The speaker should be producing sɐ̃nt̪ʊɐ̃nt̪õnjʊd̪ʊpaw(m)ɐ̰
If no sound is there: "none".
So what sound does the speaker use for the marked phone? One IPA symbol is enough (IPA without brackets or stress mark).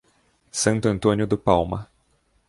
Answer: m